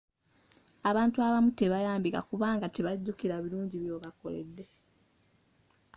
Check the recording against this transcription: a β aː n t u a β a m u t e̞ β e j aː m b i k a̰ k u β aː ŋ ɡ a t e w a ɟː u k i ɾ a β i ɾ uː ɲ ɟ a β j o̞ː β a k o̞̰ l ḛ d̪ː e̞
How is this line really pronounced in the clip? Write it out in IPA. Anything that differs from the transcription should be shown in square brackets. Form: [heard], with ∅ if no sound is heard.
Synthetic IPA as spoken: a β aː n t u a β a m u t e̞ β [a] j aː m b i k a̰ k u β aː ŋ ɡ a t e [β] a ɟː u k i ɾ a β i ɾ uː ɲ ɟ [i] β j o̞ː β a k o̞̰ l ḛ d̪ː e̞